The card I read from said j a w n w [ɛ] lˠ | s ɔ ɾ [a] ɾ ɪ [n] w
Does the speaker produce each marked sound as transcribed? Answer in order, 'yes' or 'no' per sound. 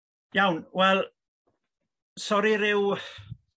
yes, no, no

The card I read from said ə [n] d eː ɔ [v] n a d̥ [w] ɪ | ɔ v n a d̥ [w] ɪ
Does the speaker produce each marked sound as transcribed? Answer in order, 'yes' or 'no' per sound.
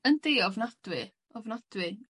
yes, yes, yes, yes

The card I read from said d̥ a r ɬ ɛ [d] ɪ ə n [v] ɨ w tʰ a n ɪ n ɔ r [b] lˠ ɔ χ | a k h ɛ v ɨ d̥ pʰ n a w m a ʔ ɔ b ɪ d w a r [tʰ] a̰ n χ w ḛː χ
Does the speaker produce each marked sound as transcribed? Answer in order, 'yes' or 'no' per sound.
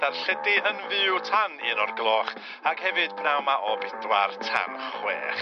yes, yes, no, yes

